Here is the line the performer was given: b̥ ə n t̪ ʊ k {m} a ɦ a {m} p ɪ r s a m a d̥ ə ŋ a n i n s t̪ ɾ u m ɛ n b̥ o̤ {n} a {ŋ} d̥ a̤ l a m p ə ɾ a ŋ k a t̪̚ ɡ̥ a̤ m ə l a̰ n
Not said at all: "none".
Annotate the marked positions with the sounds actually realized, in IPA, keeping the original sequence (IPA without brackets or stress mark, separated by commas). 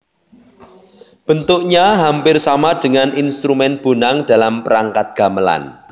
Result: ɲ, m, n, ŋ